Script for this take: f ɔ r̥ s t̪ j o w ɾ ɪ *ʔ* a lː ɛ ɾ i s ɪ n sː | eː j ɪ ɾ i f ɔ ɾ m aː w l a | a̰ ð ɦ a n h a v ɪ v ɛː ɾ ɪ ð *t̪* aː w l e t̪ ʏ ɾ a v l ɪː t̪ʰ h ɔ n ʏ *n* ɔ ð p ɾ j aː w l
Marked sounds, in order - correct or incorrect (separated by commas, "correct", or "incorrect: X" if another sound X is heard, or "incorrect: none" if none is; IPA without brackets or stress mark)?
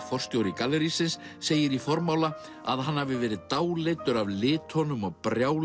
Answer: incorrect: k, correct, incorrect: m